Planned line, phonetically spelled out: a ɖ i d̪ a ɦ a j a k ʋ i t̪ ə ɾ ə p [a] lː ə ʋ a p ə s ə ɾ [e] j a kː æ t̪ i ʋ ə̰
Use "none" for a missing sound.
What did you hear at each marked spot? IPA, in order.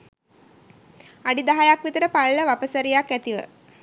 a, i

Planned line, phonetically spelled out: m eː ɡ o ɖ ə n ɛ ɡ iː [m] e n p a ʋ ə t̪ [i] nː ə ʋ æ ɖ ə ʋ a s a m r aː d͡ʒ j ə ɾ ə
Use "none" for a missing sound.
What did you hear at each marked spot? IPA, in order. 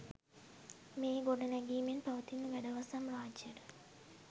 m, i

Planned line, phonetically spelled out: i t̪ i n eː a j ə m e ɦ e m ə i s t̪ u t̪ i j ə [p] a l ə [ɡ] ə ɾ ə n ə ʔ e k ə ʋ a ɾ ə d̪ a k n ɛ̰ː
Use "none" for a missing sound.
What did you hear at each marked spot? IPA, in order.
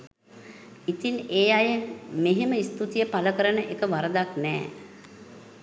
p, k

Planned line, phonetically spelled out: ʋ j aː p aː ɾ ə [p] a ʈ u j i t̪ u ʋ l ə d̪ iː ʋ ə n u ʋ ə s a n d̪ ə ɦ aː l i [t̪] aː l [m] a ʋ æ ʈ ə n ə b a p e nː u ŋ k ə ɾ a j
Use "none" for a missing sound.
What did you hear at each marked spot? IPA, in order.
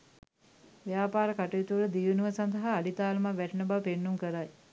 k, t̪, m

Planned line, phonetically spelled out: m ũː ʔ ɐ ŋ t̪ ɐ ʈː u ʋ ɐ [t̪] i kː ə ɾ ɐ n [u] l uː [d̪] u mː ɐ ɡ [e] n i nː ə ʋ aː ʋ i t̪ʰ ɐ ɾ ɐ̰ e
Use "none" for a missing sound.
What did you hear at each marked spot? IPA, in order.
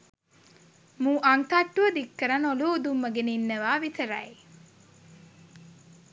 d̪, o, d̪, e

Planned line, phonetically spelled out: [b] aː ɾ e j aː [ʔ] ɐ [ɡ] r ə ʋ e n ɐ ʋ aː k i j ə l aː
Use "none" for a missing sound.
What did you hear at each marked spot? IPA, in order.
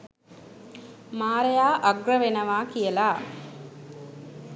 m, ʔ, ɡ

